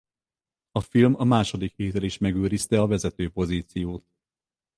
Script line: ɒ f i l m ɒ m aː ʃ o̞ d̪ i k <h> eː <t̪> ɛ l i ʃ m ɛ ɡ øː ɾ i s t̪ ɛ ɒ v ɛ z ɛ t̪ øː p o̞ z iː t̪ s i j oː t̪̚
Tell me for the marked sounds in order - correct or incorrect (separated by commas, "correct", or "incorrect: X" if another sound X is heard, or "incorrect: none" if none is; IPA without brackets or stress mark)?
correct, correct